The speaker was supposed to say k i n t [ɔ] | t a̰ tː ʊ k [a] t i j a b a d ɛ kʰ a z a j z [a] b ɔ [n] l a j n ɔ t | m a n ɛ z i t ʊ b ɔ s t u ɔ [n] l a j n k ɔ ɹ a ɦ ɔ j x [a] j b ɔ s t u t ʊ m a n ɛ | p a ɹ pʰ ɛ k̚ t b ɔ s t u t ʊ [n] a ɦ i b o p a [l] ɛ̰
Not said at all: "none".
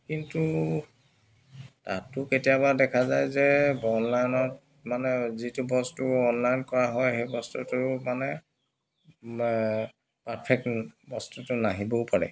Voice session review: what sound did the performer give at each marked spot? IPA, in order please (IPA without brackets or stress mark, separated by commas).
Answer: u, e, ɛ, n, n, e, n, ɹ